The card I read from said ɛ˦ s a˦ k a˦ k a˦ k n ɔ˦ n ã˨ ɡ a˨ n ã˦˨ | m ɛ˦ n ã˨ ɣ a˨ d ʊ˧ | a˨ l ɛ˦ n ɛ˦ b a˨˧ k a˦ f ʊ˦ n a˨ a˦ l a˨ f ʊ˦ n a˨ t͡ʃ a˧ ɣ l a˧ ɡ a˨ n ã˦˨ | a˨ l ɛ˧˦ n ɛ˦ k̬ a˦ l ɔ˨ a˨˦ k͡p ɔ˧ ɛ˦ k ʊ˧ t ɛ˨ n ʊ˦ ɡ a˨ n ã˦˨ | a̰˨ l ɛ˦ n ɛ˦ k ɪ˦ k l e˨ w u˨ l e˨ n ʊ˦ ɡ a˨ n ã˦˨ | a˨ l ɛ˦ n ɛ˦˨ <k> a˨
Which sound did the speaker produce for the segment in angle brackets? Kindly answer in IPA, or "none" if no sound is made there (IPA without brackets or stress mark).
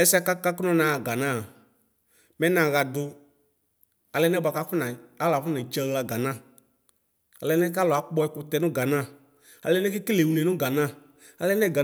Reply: ɡ